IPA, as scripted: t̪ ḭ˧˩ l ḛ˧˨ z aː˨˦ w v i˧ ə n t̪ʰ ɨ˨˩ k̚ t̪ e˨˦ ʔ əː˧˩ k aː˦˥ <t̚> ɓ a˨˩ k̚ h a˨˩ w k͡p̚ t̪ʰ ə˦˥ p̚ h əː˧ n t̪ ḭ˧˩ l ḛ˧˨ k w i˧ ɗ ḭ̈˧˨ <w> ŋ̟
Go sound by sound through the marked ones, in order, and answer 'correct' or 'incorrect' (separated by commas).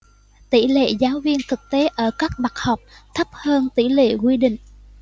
incorrect, incorrect